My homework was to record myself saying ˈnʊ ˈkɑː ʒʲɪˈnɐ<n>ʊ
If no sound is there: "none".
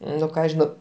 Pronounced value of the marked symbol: none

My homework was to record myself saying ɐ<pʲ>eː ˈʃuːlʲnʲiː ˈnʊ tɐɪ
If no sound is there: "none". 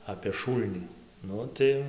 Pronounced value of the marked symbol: pʲ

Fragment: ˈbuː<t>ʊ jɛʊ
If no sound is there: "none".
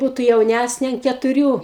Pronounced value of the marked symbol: t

